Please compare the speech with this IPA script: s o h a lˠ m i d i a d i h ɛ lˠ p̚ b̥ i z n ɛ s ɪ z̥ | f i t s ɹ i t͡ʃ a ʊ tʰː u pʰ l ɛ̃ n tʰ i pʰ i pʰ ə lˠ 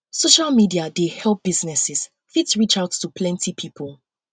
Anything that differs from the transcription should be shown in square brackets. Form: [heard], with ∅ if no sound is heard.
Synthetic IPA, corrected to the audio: s o [ʃ] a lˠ m i d i a d [e] h ɛ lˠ p̚ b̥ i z n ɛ s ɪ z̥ | f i t s ɹ i t͡ʃ a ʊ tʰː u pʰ l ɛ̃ n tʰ i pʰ i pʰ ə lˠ